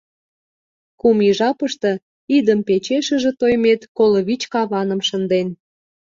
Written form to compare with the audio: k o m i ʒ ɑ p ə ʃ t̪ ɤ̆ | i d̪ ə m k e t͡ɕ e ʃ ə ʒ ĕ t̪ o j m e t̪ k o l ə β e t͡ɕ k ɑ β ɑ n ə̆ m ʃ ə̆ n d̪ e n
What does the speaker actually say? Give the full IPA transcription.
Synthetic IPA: k u m i ʒ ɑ p ə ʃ t̪ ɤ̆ | i d̪ ə m p e t͡ɕ e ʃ ə ʒ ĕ t̪ o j m e t̪ k o l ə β i t͡ɕ k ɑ β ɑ n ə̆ m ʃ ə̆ n d̪ e n